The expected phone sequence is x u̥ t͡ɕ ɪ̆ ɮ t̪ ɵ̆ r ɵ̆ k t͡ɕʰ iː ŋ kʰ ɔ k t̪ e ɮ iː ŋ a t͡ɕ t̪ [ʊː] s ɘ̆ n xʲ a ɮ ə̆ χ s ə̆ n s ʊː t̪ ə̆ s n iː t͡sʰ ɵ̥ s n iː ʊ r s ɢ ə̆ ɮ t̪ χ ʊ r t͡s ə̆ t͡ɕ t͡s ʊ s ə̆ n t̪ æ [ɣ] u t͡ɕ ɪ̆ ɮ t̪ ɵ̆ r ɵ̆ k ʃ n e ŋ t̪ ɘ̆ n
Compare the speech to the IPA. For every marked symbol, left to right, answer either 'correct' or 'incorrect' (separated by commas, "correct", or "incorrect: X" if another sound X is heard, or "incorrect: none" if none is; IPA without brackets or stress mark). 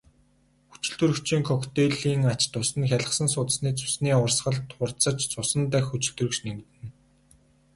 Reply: incorrect: ʊ, incorrect: x